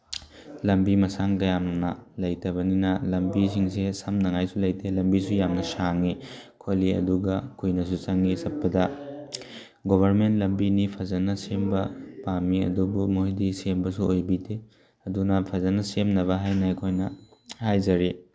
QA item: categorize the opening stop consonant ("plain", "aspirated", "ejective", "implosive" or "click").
plain